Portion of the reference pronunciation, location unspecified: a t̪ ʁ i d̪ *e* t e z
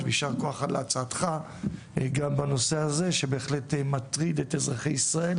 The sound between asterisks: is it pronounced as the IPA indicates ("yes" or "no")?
yes